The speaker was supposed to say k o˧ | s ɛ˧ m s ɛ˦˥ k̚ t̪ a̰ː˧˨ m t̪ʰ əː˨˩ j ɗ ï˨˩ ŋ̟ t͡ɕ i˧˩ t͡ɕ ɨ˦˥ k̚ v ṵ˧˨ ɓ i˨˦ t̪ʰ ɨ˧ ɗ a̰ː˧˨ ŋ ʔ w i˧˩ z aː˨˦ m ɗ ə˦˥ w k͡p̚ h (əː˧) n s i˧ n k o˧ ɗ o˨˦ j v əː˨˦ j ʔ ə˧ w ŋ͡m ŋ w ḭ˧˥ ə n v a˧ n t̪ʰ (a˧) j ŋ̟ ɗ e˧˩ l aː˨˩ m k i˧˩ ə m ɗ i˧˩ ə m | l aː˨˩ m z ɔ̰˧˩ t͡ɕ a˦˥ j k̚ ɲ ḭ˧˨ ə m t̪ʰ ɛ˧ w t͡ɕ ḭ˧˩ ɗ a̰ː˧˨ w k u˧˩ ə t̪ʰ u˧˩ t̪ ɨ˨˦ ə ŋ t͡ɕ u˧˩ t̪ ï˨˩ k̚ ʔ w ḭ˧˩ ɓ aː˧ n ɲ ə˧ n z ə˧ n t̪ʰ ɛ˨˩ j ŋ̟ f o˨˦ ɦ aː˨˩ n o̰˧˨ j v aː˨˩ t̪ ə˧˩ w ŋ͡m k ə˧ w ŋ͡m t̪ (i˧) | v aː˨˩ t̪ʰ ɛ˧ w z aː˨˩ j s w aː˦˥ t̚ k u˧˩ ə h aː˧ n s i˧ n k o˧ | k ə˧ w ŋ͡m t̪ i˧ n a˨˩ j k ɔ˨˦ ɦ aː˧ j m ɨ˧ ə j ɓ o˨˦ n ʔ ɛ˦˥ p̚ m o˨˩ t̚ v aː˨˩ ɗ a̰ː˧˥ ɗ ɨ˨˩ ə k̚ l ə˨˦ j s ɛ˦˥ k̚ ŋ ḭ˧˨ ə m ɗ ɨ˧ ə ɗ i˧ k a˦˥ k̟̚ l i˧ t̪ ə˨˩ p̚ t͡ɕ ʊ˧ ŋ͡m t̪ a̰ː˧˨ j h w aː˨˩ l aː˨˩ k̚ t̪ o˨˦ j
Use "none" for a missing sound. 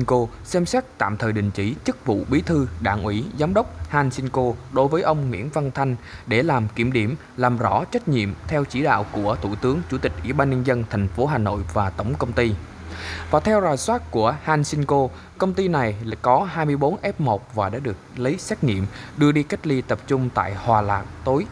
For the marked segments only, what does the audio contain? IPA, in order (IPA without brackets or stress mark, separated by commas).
aː˧, a˧, i˧